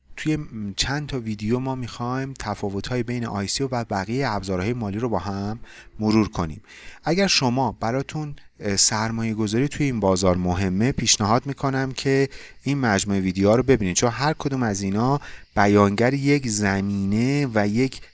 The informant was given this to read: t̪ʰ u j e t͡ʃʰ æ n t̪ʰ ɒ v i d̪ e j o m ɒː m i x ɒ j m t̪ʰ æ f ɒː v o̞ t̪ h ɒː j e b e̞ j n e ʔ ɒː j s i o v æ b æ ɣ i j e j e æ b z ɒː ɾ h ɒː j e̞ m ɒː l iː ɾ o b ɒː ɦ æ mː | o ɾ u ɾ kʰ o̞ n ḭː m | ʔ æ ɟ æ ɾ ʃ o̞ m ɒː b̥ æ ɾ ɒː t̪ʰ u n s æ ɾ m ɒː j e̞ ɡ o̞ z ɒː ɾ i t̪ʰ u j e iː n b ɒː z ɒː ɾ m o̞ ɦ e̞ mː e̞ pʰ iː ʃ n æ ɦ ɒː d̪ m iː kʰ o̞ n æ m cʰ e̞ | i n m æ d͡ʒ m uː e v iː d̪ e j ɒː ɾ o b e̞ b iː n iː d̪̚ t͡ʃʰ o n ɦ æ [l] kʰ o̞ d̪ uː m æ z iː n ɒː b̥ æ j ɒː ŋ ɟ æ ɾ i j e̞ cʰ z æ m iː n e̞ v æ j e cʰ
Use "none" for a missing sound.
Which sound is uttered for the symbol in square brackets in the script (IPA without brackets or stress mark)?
ɾ